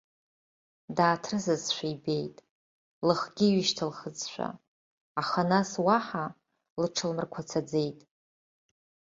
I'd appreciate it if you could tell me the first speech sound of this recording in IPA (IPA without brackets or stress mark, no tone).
d